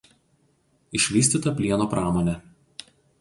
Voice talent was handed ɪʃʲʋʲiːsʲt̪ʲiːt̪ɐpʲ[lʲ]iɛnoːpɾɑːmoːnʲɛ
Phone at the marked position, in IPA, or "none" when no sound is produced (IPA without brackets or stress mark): lʲ